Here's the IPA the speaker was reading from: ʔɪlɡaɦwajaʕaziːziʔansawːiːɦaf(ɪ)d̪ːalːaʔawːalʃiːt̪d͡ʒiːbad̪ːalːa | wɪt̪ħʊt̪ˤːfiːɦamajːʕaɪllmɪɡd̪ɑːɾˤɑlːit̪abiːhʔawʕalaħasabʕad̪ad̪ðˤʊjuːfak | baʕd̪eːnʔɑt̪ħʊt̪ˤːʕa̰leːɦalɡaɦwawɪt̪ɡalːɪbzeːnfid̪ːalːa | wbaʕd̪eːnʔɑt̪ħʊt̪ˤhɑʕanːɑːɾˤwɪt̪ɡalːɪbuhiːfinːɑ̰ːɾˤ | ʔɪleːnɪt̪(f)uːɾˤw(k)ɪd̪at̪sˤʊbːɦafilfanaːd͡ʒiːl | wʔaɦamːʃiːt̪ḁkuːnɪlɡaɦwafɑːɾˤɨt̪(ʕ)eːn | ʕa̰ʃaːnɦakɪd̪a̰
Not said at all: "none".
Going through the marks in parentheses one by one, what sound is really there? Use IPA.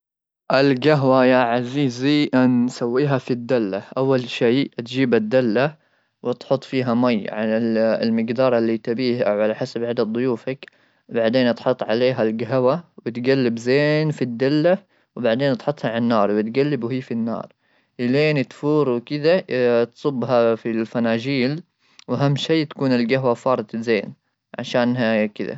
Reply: i, f, k, z

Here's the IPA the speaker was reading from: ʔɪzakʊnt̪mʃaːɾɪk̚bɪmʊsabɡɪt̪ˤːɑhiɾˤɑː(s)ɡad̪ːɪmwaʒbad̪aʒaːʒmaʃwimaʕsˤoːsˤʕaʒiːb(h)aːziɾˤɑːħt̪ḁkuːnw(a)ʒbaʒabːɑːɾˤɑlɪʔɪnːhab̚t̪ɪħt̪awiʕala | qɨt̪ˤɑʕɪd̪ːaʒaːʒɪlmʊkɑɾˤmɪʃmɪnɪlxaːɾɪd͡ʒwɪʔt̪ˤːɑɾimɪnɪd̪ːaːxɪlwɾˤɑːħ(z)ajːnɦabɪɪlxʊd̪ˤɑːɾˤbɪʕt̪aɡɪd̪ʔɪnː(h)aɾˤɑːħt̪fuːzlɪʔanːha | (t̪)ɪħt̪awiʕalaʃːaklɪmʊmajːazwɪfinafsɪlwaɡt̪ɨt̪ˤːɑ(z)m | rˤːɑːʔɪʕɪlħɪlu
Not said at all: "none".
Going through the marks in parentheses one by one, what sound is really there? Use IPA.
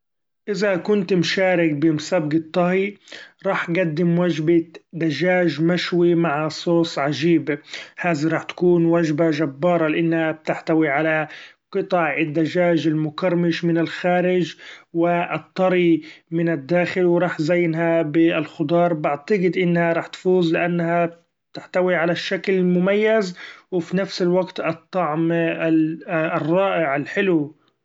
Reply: ħ, h, a, z, h, t̪, ʕ

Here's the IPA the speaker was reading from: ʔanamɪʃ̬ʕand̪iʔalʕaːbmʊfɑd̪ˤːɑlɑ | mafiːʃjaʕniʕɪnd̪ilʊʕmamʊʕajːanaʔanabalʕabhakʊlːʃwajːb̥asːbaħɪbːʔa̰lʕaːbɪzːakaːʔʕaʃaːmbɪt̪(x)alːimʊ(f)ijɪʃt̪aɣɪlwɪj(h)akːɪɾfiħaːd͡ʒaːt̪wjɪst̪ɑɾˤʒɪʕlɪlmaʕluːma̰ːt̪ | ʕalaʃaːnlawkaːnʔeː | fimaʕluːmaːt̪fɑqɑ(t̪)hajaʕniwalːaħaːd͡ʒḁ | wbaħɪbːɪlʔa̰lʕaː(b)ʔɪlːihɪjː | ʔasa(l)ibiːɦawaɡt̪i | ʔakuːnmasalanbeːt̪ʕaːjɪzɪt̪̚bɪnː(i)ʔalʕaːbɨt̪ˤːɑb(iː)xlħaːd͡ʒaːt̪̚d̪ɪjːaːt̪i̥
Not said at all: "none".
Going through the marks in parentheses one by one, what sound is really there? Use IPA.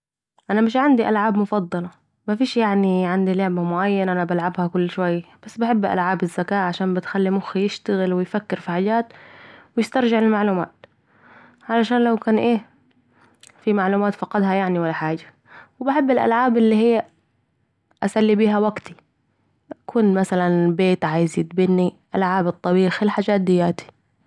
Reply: x, x, f, d̪, b, lː, i, iː

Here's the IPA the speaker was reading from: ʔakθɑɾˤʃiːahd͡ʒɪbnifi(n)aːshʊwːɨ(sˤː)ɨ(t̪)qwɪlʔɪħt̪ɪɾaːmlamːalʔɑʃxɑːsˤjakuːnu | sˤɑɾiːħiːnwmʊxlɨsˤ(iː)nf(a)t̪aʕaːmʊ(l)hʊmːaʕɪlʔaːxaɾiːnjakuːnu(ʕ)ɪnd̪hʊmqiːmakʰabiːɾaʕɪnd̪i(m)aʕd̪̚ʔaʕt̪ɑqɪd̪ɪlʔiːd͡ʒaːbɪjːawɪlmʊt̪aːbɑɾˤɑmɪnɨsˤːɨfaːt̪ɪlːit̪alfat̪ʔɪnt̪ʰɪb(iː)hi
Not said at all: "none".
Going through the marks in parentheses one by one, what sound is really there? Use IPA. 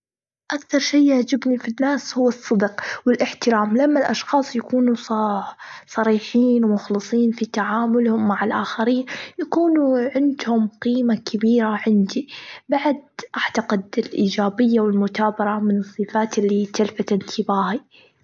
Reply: nː, sˤː, d̪, iː, i, l, ʕ, b, aː

